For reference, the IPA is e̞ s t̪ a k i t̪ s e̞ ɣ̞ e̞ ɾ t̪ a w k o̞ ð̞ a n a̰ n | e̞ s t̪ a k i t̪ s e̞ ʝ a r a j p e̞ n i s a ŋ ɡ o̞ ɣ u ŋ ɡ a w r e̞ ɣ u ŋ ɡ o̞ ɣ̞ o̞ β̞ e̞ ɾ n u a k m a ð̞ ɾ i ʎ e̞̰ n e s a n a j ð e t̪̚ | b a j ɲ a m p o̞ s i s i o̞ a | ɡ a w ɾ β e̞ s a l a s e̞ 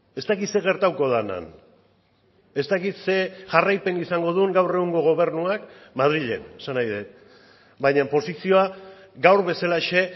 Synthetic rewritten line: e̞ s t̪ a k i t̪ s e̞ ɣ̞ e̞ ɾ t̪ a w k o̞ ð̞ a n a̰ n | e̞ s t̪ a k i t̪ s e̞ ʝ a r a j p e̞ n i s a ŋ ɡ o̞ ð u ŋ ɡ a w r e̞ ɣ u ŋ ɡ o̞ ɣ̞ o̞ β̞ e̞ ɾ n u a k m a ð̞ ɾ i ʎ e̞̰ n e s a n a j ð e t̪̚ | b a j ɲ a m p o̞ s i s i o̞ a | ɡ a w ɾ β e̞ s a l a ʃ e̞